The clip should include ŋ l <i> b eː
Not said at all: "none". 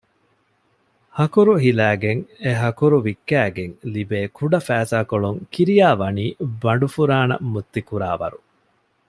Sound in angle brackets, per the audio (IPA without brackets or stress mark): i